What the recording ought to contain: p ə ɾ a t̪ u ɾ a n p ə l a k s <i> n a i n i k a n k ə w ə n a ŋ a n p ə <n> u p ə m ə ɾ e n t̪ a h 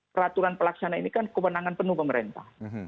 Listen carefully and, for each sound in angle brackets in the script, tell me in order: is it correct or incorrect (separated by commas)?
incorrect, correct